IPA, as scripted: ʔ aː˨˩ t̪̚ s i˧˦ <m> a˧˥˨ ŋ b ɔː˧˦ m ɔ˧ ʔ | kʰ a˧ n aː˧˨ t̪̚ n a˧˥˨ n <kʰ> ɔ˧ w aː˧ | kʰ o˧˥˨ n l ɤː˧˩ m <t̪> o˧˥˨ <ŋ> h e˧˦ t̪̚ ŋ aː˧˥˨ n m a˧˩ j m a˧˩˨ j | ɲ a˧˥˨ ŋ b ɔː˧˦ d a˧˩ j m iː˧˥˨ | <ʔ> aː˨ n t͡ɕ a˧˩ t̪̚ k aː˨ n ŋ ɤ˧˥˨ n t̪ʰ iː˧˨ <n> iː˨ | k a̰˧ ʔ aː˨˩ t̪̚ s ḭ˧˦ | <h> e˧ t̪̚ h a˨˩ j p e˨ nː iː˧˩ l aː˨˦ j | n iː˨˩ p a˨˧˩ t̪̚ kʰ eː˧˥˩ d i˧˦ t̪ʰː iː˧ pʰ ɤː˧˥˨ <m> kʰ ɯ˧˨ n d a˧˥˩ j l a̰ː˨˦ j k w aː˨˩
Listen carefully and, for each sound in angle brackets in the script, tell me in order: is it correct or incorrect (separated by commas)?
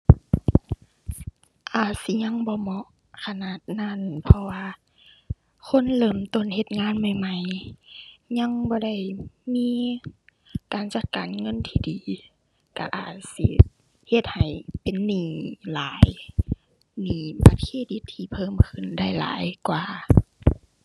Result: incorrect, incorrect, correct, incorrect, incorrect, incorrect, correct, correct